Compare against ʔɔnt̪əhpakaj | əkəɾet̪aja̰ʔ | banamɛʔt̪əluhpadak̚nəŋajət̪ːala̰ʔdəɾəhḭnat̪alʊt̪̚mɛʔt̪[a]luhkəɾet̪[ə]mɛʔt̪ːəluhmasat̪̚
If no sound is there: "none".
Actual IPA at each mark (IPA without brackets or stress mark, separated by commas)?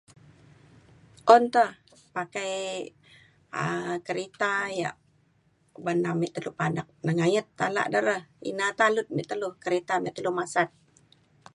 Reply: ə, a